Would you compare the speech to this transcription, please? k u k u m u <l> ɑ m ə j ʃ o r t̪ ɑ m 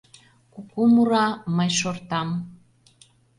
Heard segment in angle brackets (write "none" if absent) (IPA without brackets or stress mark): ɾ